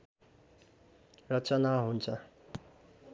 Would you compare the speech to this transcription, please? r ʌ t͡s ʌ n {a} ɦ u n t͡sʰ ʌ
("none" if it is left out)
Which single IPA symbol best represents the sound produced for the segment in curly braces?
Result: a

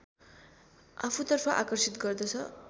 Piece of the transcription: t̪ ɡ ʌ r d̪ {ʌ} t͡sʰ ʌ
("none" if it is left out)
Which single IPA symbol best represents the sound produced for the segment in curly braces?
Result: ʌ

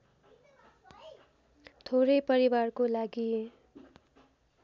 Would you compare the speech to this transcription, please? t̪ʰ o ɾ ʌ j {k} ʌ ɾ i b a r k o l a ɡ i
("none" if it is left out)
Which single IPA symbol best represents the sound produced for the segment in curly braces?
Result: p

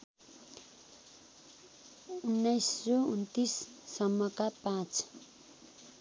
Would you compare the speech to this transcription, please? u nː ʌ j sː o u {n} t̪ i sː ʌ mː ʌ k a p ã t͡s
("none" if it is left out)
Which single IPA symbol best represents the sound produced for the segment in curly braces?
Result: n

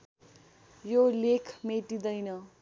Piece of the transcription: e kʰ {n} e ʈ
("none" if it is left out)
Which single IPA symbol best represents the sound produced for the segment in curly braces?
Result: m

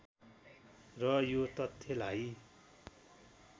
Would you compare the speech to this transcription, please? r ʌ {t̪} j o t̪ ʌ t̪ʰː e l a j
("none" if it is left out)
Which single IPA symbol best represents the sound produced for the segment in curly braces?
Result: none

